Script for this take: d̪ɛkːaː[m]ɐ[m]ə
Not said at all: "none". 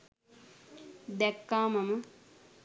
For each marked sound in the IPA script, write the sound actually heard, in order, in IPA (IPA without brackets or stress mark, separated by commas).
m, m